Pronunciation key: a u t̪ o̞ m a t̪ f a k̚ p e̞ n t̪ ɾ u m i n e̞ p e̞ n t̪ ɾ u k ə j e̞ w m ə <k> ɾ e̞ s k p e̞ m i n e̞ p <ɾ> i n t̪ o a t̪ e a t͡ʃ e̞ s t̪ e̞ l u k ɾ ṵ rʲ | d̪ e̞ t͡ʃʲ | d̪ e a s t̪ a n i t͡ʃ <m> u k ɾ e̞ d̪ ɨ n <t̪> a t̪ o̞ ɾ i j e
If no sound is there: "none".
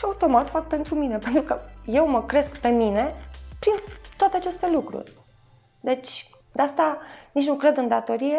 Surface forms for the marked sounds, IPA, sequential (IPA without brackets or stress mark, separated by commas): k, ɾ, n, d̪